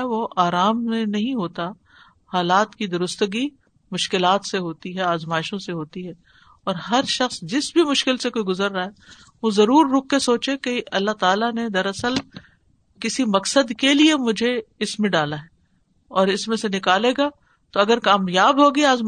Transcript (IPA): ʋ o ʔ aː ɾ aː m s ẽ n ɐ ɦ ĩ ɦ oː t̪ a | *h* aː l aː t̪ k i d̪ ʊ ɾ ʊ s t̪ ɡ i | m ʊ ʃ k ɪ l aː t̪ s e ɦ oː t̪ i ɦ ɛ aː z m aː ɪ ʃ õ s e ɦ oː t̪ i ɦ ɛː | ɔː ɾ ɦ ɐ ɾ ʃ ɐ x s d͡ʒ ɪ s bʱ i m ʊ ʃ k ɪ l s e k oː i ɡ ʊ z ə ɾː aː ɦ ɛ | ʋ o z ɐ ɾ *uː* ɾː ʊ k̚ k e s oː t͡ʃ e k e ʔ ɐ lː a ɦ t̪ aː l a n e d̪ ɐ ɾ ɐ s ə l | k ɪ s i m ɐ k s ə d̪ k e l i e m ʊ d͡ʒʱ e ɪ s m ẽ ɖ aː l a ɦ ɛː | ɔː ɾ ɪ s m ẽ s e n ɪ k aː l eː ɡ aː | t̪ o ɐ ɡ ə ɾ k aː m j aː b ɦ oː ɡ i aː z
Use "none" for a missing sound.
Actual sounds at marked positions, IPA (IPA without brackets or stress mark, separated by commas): h, uː